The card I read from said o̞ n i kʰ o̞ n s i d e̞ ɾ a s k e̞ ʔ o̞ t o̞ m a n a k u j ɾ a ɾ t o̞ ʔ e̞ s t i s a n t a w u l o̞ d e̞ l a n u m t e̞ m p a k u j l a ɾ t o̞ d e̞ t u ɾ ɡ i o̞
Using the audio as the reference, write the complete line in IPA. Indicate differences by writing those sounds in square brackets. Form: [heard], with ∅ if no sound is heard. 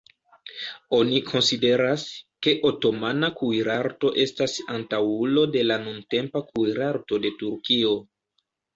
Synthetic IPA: o̞ n i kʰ o̞ n s i d e̞ ɾ a s k e̞ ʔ o̞ t o̞ m a n a k u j ɾ a ɾ t o̞ ʔ e̞ s t [a] s a n t a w u l o̞ d e̞ l a n u [n] t e̞ m p a k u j [ɾ] a ɾ t o̞ d e̞ t u ɾ [k] i o̞